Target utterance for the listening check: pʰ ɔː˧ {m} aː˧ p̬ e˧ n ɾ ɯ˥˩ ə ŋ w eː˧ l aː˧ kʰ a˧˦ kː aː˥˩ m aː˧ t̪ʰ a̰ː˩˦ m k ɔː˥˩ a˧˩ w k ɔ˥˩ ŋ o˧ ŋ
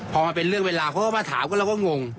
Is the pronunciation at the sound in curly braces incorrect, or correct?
correct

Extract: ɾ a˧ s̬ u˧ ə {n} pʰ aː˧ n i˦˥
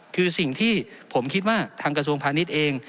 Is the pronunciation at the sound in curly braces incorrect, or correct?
incorrect: ŋ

